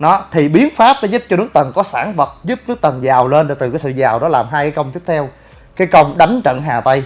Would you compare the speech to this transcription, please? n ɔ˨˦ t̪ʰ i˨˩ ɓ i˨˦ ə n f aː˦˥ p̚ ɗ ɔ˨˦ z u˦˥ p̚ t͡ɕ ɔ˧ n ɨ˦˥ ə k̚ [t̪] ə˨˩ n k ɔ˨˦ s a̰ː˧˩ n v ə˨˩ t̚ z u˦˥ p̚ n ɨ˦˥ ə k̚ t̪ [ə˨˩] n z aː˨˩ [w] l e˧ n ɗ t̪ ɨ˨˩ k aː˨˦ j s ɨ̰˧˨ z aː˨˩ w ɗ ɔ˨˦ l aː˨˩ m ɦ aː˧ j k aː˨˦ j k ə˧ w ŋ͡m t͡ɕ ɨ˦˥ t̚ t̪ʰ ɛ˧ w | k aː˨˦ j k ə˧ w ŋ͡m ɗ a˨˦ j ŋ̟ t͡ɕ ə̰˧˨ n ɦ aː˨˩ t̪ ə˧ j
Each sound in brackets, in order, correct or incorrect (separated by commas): correct, correct, correct